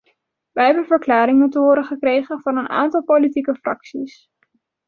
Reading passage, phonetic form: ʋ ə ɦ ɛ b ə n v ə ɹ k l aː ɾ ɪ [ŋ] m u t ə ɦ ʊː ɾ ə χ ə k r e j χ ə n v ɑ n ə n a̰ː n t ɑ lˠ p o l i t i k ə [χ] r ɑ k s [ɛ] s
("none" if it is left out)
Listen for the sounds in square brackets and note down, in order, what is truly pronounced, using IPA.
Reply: ŋ, f, i

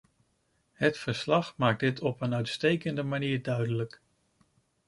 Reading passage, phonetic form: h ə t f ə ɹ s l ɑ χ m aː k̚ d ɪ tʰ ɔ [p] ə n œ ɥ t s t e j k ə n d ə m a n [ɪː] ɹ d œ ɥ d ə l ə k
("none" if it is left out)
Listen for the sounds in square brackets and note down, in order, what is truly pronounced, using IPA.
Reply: p, iː

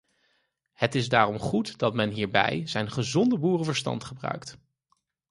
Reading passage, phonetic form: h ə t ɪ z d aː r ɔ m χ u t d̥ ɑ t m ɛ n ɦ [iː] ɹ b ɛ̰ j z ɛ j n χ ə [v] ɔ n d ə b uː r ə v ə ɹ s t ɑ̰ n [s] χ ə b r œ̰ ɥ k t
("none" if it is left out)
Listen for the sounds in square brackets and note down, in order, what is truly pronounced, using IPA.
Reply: iː, z, t

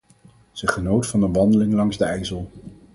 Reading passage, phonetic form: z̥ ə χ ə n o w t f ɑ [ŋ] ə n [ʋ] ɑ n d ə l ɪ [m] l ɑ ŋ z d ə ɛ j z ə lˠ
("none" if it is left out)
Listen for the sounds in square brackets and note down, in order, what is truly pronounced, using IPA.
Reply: n, ʋ, ŋ

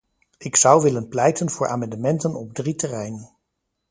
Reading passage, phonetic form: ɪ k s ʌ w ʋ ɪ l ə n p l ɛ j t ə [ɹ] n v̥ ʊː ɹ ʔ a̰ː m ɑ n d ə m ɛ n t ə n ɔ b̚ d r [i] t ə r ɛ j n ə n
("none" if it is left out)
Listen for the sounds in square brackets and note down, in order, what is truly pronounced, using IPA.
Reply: none, i

